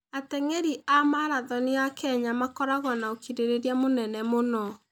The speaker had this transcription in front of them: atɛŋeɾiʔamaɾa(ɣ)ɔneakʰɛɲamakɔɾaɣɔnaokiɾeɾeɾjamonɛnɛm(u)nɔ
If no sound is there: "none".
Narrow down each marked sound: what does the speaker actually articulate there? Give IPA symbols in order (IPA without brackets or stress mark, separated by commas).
ð, o